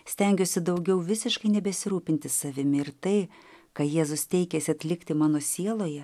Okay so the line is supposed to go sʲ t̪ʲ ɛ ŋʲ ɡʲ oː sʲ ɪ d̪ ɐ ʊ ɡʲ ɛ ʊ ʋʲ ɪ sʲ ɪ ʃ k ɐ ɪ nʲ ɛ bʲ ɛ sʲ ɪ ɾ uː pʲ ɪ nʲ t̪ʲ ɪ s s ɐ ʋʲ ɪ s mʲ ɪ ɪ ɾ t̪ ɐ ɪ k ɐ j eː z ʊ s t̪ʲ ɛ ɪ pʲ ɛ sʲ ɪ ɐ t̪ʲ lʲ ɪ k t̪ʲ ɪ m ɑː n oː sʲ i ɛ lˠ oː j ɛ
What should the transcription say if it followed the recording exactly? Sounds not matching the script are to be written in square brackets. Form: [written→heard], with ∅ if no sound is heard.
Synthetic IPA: sʲ t̪ʲ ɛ ŋʲ ɡʲ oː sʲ ɪ d̪ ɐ ʊ ɡʲ ɛ ʊ ʋʲ ɪ sʲ ɪ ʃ k ɐ ɪ nʲ ɛ bʲ ɛ sʲ ɪ ɾ uː pʲ ɪ nʲ t̪ʲ ɪ s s ɐ ʋʲ ɪ [s→∅] mʲ ɪ ɪ ɾ t̪ ɐ ɪ k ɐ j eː z ʊ s t̪ʲ ɛ ɪ [pʲ→kʲ] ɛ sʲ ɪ ɐ t̪ʲ lʲ ɪ k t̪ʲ ɪ m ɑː n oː sʲ i ɛ lˠ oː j ɛ